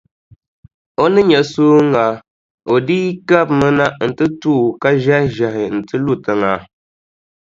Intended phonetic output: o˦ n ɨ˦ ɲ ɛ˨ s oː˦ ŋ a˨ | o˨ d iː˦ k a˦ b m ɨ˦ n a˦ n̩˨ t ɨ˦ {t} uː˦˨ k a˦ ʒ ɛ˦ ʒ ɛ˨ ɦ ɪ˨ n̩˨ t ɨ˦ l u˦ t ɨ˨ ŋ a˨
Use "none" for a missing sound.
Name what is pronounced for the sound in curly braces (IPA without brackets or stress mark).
t